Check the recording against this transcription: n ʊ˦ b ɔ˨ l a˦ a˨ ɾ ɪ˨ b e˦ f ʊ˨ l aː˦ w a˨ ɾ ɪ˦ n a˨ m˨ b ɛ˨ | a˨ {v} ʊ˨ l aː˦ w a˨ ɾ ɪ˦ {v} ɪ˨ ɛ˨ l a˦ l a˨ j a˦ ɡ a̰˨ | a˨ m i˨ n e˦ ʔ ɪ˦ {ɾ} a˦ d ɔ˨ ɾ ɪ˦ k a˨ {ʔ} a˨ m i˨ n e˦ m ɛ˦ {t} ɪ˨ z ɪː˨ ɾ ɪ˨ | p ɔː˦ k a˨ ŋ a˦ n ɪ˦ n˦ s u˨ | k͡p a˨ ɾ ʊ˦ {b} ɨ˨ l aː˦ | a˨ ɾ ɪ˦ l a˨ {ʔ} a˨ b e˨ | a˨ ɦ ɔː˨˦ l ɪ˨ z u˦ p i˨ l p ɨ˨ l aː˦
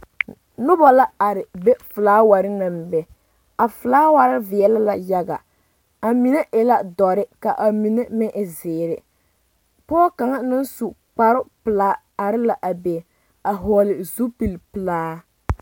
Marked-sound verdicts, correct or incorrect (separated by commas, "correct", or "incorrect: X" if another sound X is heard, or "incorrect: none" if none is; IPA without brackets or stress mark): incorrect: f, correct, incorrect: l, correct, incorrect: ʔ, incorrect: p, correct